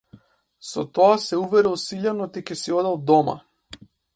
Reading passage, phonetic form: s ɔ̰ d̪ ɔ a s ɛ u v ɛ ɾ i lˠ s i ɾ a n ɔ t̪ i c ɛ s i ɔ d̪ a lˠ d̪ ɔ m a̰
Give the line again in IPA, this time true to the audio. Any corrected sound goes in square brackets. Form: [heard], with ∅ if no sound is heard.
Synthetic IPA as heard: s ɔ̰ [t̪] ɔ a s ɛ u v ɛ ɾ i lˠ s i [ʎ] a n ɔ t̪ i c ɛ s i ɔ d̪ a lˠ d̪ ɔ m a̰